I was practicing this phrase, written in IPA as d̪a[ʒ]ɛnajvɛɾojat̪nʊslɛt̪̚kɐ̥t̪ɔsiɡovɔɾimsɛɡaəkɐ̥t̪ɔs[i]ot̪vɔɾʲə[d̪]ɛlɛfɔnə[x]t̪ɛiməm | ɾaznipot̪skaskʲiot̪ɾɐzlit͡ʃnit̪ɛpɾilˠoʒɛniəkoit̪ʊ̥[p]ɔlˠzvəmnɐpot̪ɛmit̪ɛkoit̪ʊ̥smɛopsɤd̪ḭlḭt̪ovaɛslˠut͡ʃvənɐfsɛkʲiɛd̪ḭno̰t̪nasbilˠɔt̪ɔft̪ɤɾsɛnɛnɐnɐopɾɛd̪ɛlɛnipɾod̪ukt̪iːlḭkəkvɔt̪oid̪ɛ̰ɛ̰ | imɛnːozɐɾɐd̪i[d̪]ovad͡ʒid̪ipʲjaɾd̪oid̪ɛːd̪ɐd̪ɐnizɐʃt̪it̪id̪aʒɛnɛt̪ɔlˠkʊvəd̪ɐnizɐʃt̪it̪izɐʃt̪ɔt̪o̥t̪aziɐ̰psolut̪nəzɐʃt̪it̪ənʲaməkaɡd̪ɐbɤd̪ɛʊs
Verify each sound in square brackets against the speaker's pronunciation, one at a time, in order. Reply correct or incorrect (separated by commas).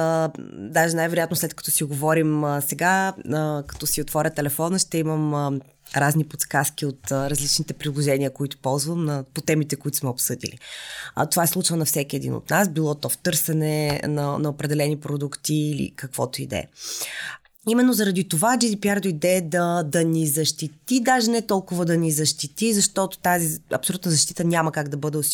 correct, correct, incorrect, incorrect, correct, incorrect